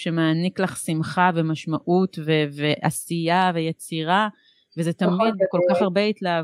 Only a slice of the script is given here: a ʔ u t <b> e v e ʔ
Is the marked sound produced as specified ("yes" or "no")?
no